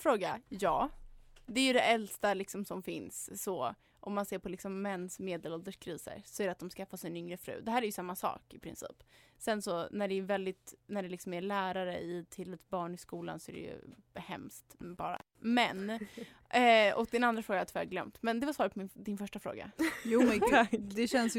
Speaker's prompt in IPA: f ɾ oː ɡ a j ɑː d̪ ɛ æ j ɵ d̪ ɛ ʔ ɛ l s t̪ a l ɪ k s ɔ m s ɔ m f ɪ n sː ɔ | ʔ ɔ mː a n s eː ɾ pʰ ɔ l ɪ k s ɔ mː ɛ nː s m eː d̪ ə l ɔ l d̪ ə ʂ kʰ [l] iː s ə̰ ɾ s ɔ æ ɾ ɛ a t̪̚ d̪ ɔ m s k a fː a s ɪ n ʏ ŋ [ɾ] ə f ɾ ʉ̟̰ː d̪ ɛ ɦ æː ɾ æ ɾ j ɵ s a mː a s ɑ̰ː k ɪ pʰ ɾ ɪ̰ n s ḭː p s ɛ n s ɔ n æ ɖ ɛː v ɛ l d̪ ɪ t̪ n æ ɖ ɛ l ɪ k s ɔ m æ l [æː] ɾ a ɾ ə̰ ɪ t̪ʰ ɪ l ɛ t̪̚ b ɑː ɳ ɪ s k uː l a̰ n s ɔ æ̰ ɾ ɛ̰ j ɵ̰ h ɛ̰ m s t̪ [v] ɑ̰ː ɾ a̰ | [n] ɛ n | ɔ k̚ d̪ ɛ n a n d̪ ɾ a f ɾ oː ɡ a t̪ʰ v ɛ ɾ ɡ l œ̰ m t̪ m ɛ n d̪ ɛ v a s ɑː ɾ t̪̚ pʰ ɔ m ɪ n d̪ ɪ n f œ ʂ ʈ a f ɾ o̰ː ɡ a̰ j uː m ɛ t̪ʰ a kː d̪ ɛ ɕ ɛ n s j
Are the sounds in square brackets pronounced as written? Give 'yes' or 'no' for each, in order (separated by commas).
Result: no, yes, yes, no, no